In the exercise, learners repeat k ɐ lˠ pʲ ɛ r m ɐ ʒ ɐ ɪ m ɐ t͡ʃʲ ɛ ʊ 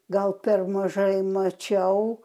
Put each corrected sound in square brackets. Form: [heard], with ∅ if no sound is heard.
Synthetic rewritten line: [ɡ] ɐ lˠ pʲ ɛ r m ɐ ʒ ɐ ɪ m ɐ t͡ʃʲ ɛ ʊ